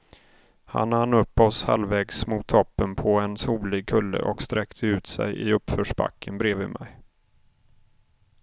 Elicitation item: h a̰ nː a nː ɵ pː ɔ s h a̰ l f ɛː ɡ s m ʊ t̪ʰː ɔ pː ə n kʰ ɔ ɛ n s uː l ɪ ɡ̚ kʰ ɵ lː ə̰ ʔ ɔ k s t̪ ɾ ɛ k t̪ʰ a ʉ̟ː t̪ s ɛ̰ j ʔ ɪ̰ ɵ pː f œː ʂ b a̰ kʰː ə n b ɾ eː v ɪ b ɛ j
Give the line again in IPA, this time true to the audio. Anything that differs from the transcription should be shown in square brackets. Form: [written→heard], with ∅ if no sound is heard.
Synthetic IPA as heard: h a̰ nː a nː ɵ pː ɔ s h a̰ l [f→v] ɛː ɡ s m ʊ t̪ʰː ɔ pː ə n [kʰ→pʰ] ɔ ɛ n s uː l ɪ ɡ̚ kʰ ɵ lː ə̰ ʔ ɔ k s t̪ ɾ ɛ k t̪ʰ [a→ə] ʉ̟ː t̪ s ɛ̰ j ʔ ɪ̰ ɵ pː f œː ʂ b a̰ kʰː ə n b ɾ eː v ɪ [b→m] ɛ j

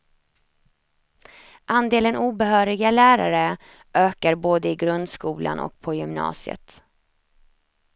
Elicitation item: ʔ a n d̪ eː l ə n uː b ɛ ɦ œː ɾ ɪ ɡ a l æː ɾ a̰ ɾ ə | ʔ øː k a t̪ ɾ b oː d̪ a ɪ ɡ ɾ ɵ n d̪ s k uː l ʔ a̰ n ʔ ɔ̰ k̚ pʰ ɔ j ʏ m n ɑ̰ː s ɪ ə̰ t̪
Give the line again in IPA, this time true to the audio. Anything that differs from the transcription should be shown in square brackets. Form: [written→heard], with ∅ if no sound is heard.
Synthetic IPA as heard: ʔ a n d̪ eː l ə n uː b ɛ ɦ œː ɾ ɪ ɡ a l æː ɾ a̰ ɾ ə | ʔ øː k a [t̪→∅] ɾ b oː d̪ [a→ə] ɪ ɡ ɾ ɵ n d̪ s k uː l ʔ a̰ n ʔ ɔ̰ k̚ pʰ ɔ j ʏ m n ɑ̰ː s ɪ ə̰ t̪

